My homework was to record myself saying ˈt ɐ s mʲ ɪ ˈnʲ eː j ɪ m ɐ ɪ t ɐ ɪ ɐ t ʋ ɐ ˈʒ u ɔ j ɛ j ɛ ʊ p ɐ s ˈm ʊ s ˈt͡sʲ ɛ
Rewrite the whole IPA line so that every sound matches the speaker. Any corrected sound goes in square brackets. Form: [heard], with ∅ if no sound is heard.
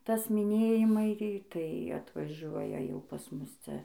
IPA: ˈt ɐ s mʲ ɪ ˈnʲ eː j ɪ m ɐ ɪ t ɐ ɪ ɐ t ʋ ɐ ˈʒ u ɔ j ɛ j ɛ ʊ p ɐ s ˈm ʊ s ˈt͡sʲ ɛ

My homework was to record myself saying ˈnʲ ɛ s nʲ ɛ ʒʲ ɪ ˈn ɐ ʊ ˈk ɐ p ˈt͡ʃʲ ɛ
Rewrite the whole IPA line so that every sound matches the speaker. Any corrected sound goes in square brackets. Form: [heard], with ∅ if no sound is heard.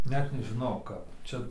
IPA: ˈnʲ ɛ [t] nʲ ɛ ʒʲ ɪ ˈn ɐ ʊ ˈk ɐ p ˈt͡ʃʲ ɛ

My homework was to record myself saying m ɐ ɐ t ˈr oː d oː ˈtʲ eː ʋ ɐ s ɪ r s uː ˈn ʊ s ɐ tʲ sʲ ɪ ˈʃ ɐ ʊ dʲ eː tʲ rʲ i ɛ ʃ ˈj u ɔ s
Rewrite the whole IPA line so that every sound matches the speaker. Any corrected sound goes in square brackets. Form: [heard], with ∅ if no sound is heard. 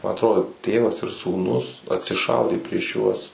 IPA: m ɐ ɐ t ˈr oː d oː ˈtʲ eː ʋ ɐ s ɪ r s uː ˈn ʊ s ɐ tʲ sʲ ɪ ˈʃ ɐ ʊ dʲ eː [pʲ] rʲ i ɛ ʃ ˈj u ɔ s

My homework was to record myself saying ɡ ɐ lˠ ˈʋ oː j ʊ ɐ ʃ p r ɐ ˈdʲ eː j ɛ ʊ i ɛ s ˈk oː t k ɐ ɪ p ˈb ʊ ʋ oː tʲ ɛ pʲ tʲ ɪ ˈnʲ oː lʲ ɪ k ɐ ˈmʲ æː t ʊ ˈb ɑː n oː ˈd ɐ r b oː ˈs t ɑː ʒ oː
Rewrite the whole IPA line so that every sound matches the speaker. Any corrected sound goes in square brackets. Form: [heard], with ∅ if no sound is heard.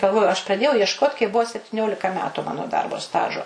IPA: ɡ ɐ lˠ ˈʋ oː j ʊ ɐ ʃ p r ɐ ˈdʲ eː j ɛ ʊ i ɛ [ʃ] ˈk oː t k ɐ ɪ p ˈb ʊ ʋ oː [sʲ] ɛ pʲ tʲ ɪ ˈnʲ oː lʲ ɪ k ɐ ˈmʲ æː t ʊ [ˈm] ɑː n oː ˈd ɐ r b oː ˈs t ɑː ʒ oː

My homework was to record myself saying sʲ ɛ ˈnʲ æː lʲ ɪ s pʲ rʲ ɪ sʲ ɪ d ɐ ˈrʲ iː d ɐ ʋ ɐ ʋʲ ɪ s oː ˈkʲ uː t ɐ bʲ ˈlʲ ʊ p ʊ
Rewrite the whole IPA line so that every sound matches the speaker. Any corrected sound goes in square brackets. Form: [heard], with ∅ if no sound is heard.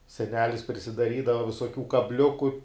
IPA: sʲ ɛ ˈnʲ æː lʲ ɪ s pʲ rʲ ɪ sʲ ɪ d ɐ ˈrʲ iː d ɐ ʋ ɐ ʋʲ ɪ s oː ˈkʲ uː [k] ɐ bʲ ˈlʲ ʊ [k] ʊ

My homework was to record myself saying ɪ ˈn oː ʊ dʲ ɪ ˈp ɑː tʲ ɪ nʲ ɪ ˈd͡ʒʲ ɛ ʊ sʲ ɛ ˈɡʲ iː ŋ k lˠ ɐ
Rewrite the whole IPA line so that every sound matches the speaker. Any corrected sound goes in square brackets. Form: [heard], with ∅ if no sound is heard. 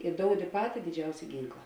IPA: ɪ [ˈd] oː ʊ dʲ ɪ ˈp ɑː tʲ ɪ [dʲ] ɪ ˈd͡ʒʲ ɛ ʊ sʲ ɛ ˈɡʲ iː ŋ k lˠ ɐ

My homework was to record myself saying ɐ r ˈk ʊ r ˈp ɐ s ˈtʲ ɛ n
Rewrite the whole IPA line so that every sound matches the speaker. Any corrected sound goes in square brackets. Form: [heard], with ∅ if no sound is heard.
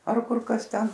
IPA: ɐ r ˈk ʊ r [ˈk] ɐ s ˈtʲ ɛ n

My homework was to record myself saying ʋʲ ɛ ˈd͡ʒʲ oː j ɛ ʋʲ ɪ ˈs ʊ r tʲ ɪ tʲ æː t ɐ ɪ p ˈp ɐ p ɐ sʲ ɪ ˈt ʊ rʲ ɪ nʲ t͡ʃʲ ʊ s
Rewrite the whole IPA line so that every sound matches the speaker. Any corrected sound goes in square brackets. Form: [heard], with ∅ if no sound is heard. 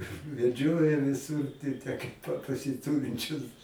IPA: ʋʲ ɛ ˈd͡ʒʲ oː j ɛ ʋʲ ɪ ˈs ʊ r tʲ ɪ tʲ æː [k] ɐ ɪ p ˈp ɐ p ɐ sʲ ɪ ˈt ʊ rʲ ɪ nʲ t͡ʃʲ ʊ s

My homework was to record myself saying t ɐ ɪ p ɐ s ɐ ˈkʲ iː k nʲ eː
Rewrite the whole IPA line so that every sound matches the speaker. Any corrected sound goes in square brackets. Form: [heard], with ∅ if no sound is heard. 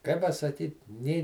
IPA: [k] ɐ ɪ p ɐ s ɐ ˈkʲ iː [t] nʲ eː

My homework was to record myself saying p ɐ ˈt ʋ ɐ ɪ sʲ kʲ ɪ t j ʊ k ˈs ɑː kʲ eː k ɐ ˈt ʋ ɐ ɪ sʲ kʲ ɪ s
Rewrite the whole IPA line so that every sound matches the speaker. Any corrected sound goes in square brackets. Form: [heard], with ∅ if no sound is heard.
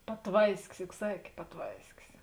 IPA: p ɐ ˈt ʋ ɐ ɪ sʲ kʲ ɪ [s] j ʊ k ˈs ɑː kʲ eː [p] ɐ ˈt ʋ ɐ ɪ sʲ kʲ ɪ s

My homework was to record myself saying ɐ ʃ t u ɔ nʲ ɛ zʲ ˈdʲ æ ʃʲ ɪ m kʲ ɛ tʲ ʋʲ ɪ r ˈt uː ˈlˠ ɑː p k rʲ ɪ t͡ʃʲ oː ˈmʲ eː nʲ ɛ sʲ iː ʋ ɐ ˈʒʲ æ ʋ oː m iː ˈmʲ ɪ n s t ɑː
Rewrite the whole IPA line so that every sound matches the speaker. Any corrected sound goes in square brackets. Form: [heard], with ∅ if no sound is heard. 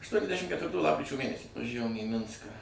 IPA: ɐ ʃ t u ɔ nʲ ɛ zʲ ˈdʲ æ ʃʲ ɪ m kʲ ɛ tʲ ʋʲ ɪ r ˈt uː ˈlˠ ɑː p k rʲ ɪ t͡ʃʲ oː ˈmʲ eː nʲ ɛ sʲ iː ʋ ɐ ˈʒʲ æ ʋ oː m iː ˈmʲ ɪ n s [k] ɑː

